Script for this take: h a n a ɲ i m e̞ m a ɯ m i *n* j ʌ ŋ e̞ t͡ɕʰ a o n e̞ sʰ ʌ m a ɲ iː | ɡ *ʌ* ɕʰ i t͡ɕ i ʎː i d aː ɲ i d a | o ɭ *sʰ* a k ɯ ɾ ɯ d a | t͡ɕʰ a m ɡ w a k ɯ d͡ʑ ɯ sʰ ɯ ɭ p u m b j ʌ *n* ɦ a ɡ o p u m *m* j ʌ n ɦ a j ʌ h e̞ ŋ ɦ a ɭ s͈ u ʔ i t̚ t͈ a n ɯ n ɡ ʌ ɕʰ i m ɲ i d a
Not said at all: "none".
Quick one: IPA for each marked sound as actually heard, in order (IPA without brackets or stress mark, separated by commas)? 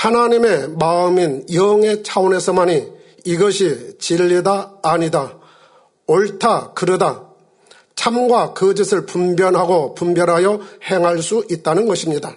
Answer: n, ʌ, tʰ, n, b